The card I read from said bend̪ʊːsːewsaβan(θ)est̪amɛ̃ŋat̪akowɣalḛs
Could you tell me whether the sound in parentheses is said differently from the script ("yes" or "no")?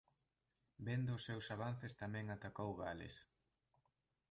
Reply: no